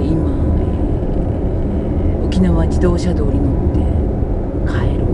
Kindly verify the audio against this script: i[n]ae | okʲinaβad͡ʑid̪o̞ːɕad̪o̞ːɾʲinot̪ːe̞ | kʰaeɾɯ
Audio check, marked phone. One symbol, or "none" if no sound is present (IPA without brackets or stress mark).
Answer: m